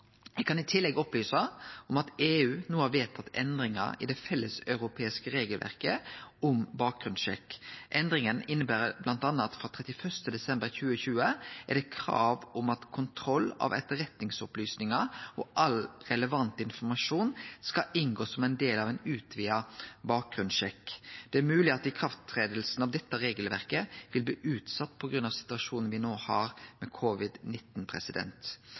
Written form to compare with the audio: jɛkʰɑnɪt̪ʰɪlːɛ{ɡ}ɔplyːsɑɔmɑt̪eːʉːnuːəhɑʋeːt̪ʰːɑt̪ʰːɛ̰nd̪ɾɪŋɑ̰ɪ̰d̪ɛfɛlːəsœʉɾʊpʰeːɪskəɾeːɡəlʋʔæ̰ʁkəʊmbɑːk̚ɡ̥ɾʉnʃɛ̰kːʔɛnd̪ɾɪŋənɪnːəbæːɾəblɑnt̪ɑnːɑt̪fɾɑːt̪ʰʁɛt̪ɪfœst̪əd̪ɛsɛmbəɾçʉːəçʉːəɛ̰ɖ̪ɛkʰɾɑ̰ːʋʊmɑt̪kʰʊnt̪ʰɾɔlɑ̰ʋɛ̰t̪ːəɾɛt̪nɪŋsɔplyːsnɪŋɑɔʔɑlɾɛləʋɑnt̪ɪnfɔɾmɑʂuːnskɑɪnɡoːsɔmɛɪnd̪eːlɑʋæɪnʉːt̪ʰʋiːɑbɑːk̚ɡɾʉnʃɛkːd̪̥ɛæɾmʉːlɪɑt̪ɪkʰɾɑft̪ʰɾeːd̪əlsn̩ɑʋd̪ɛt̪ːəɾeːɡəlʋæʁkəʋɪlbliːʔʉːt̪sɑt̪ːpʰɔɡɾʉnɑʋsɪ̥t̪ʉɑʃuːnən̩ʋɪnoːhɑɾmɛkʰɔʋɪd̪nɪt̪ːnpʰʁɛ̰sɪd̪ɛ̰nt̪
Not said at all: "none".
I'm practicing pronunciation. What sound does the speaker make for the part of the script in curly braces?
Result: ɡ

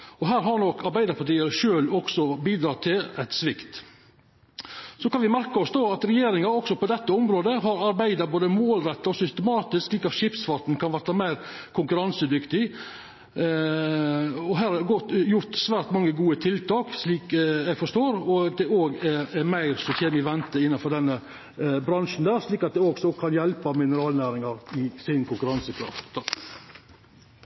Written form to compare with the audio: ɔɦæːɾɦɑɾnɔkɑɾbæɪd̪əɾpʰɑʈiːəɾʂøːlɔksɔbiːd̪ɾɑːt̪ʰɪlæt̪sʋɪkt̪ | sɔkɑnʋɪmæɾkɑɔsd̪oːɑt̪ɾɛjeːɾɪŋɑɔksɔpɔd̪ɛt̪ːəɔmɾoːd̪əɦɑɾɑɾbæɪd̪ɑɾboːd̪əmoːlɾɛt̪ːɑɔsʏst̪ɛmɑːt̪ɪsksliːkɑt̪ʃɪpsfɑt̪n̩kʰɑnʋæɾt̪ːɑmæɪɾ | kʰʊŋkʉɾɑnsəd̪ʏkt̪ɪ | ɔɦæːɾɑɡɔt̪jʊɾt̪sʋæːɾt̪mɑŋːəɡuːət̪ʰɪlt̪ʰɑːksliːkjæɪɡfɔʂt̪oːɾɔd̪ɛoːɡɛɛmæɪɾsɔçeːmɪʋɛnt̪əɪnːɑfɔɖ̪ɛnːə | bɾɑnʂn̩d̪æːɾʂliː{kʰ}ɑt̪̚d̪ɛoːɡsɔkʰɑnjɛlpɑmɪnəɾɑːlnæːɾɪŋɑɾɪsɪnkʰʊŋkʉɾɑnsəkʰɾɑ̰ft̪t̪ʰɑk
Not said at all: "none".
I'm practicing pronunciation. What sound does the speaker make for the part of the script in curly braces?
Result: k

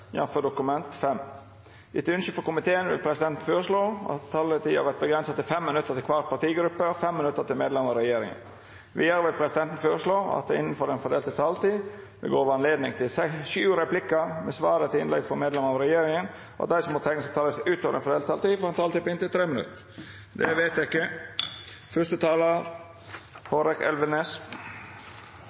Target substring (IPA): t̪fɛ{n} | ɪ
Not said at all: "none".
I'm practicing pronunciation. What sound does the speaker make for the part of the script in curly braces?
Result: m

